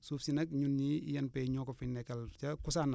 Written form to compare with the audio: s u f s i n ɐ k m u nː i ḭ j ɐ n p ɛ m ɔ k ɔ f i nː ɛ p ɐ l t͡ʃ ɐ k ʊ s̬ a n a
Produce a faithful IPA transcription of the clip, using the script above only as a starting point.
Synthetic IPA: s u f s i n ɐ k ɲ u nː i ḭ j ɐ n p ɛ ɲ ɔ k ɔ f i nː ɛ k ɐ l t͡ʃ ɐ k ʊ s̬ a n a

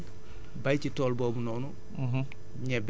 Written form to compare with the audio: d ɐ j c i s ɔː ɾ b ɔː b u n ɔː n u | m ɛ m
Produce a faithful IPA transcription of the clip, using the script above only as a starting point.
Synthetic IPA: b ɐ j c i t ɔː l b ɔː b u n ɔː n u | ɲ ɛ b

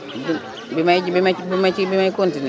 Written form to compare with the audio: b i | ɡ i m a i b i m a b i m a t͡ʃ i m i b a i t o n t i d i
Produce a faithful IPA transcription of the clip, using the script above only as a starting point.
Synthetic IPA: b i | b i m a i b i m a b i m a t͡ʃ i b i m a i k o n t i n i

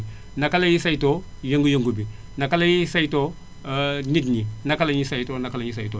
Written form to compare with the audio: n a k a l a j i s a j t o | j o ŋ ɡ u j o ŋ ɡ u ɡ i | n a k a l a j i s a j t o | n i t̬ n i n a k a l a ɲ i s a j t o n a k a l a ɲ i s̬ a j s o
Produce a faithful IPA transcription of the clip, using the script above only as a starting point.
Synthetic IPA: n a k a l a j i s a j t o | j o ŋ ɡ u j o ŋ ɡ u b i | n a k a l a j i s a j t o | n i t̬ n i n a k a l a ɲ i s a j t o n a k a l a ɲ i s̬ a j t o

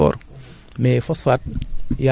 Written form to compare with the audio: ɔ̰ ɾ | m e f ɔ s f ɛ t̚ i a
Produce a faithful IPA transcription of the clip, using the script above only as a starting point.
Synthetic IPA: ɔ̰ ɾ | m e f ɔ s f a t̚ j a

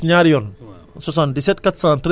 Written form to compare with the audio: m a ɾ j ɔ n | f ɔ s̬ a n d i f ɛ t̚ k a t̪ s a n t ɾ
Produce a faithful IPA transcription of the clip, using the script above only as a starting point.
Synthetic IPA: ɲ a ɾ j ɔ n | s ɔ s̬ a n d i s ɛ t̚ k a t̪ s a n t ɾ

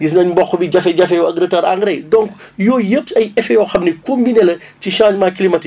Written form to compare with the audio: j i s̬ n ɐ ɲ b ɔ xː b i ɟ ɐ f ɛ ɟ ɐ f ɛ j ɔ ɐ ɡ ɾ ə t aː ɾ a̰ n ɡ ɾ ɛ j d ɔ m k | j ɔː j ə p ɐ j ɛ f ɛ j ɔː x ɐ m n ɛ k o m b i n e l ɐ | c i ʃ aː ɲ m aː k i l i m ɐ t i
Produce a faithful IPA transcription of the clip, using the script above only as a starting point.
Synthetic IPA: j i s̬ n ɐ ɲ b ɔ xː b i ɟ ɐ f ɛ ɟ ɐ f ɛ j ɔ ɐ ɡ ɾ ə t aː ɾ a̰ ŋ ɡ ɾ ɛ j d ɔ ŋ k | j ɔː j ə p ɐ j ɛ f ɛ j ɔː x ɐ m n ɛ k o m b i n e l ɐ | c i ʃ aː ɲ m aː k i l i m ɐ t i

